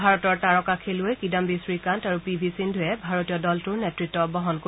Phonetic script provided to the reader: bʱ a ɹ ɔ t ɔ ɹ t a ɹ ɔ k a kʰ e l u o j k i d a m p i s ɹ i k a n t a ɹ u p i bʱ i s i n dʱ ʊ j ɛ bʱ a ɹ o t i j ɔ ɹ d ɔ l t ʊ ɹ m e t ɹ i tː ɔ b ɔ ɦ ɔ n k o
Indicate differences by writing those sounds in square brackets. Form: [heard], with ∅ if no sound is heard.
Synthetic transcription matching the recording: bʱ a ɹ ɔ t ɔ ɹ t a ɹ ɔ k a kʰ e l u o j k i d a m [b] i s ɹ i k a n t a ɹ u p i bʱ i s i n dʱ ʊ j ɛ bʱ a ɹ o t i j ɔ [∅] d ɔ l t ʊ ɹ [n] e t ɹ i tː ɔ b ɔ ɦ ɔ n k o